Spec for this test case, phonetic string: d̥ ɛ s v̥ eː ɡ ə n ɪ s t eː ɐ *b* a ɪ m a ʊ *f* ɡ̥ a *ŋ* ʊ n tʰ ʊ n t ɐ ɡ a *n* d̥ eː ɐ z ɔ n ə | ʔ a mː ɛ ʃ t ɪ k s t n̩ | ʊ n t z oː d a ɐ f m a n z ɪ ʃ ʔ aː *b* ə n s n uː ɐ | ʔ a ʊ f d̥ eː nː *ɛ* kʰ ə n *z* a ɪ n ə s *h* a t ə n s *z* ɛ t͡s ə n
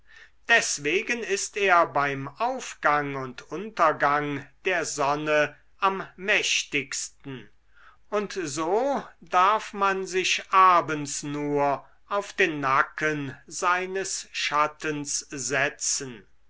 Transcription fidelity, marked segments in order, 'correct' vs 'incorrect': correct, correct, correct, incorrect, correct, incorrect, correct, incorrect, correct

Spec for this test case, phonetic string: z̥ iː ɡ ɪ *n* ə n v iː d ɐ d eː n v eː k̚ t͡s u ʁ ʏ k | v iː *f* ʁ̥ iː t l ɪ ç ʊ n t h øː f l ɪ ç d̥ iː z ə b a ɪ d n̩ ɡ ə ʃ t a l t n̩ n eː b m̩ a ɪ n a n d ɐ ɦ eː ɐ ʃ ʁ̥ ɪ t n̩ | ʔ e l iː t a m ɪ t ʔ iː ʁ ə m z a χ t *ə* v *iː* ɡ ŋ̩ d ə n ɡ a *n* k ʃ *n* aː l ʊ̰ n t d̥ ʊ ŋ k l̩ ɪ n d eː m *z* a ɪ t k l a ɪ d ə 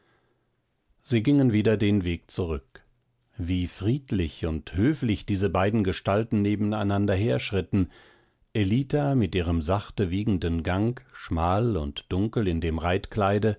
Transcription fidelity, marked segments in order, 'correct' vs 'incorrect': incorrect, correct, correct, correct, incorrect, incorrect, incorrect

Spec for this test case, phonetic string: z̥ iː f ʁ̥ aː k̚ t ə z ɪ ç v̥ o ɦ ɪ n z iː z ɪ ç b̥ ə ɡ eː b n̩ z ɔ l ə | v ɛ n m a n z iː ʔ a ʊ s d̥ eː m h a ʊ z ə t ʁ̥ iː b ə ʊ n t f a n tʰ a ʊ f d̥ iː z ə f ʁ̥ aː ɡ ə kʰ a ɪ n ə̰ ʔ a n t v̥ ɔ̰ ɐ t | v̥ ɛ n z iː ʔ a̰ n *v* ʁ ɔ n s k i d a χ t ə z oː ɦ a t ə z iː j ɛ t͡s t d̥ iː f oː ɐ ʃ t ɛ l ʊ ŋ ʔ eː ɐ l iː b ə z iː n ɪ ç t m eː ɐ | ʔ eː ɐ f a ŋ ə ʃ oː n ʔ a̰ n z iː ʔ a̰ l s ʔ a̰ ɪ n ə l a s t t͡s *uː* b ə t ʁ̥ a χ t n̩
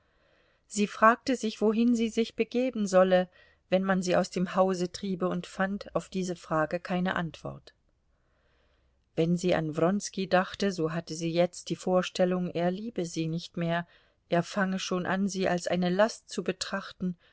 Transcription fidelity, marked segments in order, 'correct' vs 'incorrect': correct, incorrect

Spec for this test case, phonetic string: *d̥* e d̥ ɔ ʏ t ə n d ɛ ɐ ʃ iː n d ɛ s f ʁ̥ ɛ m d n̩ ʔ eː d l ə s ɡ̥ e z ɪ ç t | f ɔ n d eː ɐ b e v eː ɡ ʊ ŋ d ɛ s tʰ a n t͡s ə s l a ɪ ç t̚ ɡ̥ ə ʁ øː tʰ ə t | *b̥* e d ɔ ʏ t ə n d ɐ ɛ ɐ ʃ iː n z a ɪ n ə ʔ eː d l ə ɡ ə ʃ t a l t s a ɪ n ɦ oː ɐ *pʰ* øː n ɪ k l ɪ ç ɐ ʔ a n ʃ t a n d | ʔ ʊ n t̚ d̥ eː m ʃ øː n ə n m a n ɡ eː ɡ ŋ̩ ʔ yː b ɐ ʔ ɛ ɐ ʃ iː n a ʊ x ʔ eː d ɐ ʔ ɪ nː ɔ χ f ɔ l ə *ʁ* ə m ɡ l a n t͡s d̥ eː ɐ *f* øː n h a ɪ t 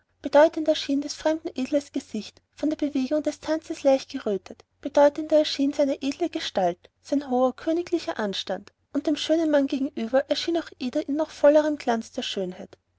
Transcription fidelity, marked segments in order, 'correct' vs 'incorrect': incorrect, correct, incorrect, correct, incorrect

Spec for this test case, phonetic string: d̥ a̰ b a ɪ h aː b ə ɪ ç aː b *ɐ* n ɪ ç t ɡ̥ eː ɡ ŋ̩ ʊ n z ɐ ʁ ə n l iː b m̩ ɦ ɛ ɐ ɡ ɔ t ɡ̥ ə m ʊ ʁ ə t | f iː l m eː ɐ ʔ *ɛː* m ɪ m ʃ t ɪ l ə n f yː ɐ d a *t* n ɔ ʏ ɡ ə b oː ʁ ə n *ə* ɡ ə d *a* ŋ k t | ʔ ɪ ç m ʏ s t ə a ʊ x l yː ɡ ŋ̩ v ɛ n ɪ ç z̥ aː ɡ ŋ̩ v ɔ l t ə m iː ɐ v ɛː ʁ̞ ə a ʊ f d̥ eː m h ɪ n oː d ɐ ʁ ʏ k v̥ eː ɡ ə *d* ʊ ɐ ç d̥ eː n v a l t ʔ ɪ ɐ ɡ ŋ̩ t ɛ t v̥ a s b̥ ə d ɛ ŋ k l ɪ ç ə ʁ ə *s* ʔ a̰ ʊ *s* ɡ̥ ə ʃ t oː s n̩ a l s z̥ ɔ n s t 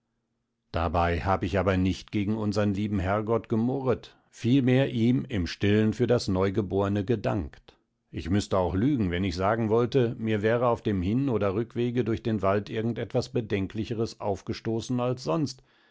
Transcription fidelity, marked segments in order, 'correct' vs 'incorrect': correct, incorrect, incorrect, correct, correct, correct, correct, incorrect

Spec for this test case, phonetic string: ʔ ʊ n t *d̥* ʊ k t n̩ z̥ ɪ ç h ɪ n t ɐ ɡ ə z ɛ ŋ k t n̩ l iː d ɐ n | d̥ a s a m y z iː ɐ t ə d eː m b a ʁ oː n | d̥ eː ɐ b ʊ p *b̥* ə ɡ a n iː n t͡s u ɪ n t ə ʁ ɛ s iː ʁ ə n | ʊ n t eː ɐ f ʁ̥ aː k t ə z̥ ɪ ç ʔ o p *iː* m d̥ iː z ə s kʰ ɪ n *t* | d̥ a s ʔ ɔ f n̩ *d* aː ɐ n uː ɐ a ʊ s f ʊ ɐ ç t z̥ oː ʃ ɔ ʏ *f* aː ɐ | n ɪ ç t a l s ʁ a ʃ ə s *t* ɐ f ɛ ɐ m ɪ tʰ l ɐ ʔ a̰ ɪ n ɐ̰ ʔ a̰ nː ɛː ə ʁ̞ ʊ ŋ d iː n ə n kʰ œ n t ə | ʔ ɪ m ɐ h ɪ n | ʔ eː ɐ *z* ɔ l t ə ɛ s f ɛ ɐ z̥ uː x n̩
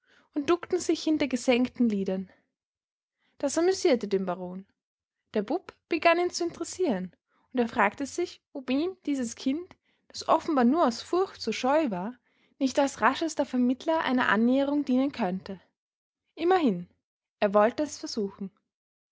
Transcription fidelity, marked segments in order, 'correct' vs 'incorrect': correct, correct, correct, correct, incorrect, incorrect, correct, incorrect

